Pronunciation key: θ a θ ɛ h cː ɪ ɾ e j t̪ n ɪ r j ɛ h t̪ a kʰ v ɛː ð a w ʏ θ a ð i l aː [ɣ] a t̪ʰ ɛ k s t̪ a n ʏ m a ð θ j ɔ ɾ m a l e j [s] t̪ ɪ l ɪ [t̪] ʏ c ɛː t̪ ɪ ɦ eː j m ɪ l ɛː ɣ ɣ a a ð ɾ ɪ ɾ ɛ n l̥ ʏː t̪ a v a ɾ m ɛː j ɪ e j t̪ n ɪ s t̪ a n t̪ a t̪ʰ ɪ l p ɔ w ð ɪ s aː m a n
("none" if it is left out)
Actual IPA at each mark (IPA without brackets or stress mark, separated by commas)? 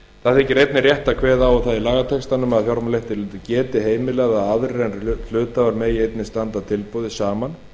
ɣ, h, t̪